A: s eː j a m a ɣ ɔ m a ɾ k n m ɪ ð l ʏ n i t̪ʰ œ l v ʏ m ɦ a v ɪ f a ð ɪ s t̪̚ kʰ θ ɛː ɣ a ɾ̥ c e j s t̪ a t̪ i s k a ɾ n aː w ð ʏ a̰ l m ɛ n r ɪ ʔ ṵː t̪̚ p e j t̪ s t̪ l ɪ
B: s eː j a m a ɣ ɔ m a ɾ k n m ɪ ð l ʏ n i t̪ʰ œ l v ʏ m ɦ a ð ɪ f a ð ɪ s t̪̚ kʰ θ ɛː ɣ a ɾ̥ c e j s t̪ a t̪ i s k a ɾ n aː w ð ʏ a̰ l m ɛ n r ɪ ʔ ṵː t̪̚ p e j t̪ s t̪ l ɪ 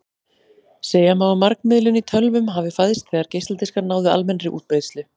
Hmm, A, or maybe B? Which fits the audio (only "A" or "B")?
A